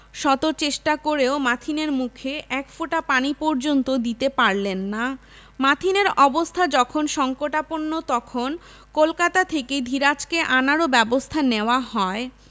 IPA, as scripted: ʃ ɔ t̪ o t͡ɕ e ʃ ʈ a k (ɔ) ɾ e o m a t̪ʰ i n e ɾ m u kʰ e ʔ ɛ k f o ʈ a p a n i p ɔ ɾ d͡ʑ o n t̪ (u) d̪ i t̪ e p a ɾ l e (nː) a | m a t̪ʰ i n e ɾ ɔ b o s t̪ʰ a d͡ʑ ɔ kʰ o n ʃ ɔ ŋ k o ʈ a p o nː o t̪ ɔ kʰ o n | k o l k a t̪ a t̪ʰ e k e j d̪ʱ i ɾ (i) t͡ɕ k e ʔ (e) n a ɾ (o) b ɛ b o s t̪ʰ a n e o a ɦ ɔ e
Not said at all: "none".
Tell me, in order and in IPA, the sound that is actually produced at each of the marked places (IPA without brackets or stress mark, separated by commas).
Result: o, o, nː, a, a, o